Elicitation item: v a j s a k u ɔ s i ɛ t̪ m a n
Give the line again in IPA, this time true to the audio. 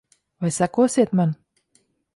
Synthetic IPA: v a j s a k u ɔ s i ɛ t̪ m a n